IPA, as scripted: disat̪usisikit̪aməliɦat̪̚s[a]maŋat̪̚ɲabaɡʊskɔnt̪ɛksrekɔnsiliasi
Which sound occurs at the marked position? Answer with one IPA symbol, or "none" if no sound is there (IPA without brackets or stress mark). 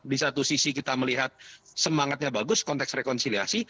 ə